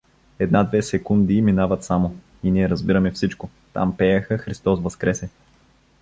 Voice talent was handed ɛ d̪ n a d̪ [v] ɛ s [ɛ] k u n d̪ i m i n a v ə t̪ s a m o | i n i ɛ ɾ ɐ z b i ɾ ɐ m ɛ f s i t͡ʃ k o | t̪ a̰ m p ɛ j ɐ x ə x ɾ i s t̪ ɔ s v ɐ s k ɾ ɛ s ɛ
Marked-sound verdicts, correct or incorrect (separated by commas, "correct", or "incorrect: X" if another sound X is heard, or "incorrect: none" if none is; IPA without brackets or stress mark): correct, correct